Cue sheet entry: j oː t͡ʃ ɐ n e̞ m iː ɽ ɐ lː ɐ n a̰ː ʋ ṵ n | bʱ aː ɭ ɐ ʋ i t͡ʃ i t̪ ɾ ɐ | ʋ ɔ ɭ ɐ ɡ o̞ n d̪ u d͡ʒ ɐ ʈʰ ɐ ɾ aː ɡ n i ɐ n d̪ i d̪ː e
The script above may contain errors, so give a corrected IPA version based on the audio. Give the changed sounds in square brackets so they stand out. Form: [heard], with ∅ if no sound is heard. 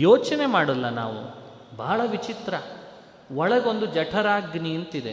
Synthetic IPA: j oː t͡ʃ ɐ n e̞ m [aː] ɽ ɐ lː ɐ n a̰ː ʋ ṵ [∅] | bʱ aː ɭ ɐ ʋ i t͡ʃ i t̪ ɾ ɐ | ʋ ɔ ɭ ɐ ɡ o̞ n d̪ u d͡ʒ ɐ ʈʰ ɐ ɾ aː ɡ n i ɐ n [t̪] i [d̪] e